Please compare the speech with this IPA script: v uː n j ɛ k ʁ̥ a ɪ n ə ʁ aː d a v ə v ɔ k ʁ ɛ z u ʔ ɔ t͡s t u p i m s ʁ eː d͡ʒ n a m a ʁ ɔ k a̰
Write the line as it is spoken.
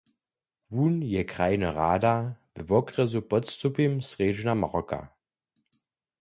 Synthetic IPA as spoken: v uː n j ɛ k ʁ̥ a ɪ n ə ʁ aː d a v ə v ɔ k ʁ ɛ z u p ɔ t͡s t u p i m s ʁ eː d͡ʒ n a m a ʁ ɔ k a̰

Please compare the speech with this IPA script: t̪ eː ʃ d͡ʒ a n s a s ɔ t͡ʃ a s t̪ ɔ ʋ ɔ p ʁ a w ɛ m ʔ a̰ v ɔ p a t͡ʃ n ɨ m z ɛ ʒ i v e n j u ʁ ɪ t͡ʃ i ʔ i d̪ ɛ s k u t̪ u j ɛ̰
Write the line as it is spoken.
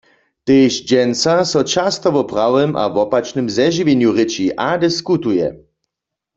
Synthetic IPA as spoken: t̪ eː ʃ d͡ʒ ɛ n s a s ɔ t͡ʃ a s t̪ ɔ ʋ ɔ p ʁ a w ɛ m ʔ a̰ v ɔ p a t͡ʃ n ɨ m z ɛ ʒ i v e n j u ʁ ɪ t͡ʃ i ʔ a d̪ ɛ s k u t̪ u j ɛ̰

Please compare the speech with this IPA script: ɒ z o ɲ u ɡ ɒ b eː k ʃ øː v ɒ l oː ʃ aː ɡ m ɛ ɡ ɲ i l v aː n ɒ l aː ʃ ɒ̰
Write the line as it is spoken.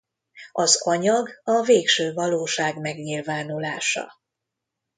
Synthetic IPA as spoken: ɒ z ɒ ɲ ɒ ɡ ɒ v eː k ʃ øː v ɒ l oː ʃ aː ɡ m ɛ ɡ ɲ i l v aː n u l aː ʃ ɒ̰

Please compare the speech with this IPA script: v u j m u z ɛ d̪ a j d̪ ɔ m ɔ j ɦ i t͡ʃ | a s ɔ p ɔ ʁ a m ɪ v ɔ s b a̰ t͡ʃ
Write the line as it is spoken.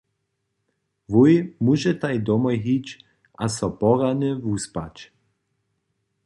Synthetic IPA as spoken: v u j m u ʒ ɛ t̪ a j d̪ ɔ m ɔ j ɦ i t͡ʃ | a s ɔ p ɔ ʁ a n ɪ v u s p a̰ t͡ʃ

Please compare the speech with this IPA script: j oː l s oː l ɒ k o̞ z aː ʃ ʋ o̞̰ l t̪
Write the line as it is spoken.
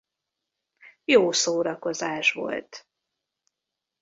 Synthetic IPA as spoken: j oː s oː ɾ ɒ k o̞ z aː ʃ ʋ o̞̰ l t̪

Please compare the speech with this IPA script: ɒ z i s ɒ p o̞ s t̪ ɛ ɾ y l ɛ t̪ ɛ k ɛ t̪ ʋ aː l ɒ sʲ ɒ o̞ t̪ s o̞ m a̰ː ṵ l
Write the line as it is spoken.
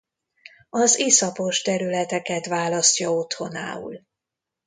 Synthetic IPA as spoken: ɒ z i s ɒ p o̞ ʃ t̪ ɛ ɾ y l ɛ t̪ ɛ k ɛ t̪ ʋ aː l ɒ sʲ ɒ o̞ t̪ h o̞ n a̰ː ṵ l

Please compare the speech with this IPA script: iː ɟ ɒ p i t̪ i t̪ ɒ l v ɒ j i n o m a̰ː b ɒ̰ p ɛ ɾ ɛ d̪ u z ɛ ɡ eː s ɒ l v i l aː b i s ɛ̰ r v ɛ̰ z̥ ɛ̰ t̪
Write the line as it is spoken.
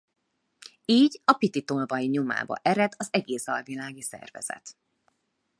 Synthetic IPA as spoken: iː ɟ ɒ p i t̪ i t̪ o l v ɒ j i ɲ o m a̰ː b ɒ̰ ʔ ɛ ɾ ɛ d̪ ɒ z ɛ ɡ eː s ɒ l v i l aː ɡ i s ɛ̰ r v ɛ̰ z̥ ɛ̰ t̪

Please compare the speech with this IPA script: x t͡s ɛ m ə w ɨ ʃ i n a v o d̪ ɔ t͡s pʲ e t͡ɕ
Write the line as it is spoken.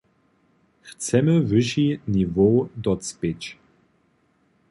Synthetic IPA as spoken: x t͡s ɛ m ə v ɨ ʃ i n i v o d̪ ɔ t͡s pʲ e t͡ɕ

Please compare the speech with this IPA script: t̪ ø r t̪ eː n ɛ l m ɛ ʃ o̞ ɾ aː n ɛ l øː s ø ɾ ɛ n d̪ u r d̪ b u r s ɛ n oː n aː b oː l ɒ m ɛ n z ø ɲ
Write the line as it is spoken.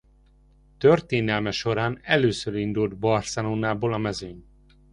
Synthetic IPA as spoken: t̪ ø r t̪ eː n ɛ l m ɛ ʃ o̞ ɾ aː n ɛ l øː s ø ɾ i n d̪ u l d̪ b ɒ r s ɛ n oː n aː b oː l ɒ m ɛ z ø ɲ

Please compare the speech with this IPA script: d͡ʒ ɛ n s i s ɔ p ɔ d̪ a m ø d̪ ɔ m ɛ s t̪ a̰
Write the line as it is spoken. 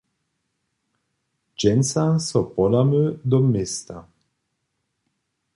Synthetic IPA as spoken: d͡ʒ ɛ n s a s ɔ p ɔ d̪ a m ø d̪ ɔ m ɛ s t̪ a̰

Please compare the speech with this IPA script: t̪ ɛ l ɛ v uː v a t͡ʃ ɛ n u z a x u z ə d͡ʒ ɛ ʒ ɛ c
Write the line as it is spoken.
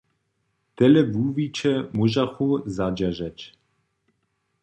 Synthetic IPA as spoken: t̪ ɛ l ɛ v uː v i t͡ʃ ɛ m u ʒ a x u z a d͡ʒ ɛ ʒ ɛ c

